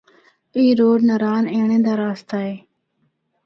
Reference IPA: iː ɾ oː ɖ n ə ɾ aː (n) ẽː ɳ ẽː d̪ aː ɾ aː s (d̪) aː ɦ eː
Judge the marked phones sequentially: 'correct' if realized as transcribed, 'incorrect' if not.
correct, incorrect: t̪

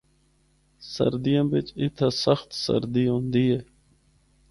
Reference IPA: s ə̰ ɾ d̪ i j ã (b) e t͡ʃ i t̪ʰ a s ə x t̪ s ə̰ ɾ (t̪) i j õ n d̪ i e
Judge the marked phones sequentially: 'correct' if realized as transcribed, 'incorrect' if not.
correct, incorrect: d̪

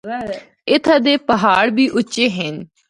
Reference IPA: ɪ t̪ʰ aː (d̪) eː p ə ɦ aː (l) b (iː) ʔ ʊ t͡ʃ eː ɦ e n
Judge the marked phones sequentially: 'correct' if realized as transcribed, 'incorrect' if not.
correct, incorrect: ɽ, correct

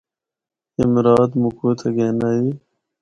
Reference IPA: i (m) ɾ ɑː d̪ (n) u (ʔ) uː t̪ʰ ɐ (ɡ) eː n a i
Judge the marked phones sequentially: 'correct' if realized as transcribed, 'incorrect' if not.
correct, incorrect: m, incorrect: k, correct

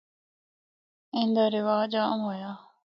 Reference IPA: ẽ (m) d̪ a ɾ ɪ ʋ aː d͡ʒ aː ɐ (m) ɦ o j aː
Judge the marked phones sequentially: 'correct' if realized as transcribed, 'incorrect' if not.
incorrect: n, correct

